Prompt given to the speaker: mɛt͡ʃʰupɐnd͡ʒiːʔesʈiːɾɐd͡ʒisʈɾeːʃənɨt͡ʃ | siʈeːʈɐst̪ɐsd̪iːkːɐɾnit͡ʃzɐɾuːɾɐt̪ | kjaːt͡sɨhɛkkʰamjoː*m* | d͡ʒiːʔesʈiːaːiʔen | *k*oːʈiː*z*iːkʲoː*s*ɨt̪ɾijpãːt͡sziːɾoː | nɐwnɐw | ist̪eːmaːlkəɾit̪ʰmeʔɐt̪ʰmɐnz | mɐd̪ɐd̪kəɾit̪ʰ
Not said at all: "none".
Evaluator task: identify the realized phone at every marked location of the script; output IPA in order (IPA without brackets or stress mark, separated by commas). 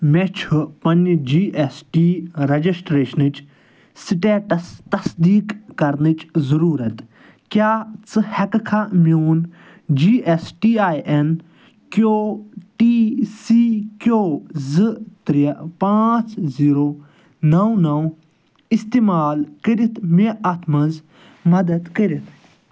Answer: n, k, s, z